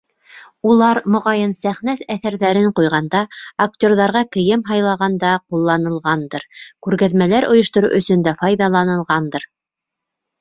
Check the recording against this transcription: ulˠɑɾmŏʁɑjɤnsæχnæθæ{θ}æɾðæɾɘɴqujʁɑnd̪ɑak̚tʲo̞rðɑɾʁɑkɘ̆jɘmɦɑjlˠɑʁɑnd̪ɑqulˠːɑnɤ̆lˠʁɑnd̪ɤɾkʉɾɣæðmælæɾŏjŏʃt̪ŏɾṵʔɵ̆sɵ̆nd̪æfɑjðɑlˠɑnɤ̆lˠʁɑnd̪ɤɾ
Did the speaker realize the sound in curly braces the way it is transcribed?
yes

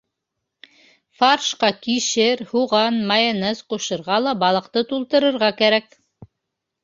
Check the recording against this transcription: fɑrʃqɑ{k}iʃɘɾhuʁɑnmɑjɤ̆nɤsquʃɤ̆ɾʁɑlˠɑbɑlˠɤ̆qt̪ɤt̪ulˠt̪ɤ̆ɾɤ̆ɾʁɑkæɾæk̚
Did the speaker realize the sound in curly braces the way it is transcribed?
yes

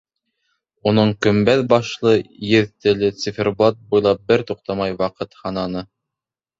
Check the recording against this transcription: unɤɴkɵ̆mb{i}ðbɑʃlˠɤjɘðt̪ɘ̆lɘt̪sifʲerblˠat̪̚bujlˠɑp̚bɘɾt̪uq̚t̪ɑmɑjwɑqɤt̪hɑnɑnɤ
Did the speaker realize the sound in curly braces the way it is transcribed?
no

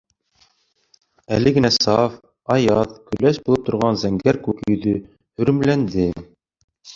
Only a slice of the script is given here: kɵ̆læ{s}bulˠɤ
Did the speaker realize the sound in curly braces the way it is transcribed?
no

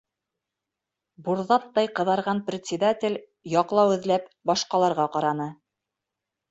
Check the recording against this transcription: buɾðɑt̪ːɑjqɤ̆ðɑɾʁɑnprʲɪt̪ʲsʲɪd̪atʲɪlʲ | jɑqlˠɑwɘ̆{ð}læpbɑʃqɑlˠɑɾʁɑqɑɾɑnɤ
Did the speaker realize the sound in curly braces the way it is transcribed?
yes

